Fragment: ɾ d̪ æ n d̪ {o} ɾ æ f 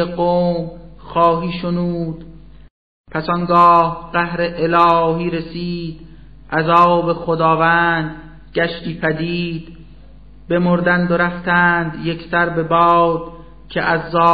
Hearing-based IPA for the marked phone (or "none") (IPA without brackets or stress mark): o